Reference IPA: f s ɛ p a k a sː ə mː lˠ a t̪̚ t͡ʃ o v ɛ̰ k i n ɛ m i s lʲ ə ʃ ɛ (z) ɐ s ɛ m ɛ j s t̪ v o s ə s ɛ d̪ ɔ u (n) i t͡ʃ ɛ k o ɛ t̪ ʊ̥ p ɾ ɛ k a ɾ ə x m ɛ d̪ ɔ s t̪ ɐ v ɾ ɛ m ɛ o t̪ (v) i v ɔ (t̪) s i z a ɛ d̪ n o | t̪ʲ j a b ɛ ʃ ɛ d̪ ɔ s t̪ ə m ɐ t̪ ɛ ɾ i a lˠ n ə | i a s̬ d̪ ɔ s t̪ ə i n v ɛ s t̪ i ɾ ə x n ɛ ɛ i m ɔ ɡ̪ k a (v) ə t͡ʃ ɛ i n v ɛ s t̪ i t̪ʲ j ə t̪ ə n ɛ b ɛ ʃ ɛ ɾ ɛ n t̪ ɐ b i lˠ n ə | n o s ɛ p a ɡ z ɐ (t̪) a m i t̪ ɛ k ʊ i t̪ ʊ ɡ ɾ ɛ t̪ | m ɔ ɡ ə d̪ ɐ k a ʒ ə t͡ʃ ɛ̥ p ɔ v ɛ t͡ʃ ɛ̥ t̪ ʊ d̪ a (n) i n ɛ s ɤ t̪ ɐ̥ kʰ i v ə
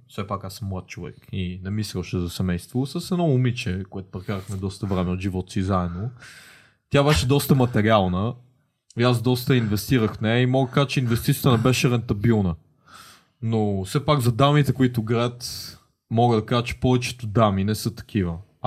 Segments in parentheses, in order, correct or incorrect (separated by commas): correct, incorrect, incorrect, correct, incorrect, incorrect, incorrect